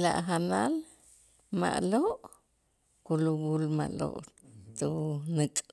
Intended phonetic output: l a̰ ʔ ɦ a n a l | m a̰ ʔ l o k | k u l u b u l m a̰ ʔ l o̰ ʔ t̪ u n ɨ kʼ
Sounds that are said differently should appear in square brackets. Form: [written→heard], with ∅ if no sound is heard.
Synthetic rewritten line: l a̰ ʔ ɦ a n a l | m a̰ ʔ l o [k→ʔ] | k u l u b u l m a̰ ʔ l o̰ ʔ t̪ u n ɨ kʼ